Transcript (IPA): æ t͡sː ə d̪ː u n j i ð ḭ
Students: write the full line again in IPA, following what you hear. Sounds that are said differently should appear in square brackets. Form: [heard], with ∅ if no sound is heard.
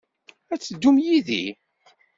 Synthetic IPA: æ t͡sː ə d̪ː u [m] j i ð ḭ